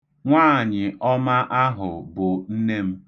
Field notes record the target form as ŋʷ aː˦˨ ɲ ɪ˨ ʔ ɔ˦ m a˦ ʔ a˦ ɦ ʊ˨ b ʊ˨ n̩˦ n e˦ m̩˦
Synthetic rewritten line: ŋʷ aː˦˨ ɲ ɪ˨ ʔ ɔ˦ m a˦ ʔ a˦ ɦ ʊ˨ b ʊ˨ n̩˦ n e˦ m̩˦